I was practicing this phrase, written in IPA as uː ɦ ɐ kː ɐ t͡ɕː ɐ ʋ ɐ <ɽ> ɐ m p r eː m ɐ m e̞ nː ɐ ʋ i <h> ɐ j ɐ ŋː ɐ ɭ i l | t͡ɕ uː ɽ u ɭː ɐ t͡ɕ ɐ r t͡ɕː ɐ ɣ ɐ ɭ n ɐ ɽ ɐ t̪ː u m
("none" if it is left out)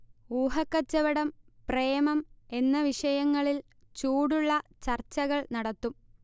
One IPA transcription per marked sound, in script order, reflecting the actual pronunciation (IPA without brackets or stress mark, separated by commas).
ɽ, ʂ